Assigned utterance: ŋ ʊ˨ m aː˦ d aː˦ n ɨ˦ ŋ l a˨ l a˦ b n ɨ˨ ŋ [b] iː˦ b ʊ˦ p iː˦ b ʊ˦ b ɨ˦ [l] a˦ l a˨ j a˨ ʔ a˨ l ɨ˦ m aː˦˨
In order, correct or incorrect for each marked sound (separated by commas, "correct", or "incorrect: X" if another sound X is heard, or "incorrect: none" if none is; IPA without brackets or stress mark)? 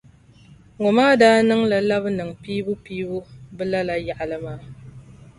incorrect: p, correct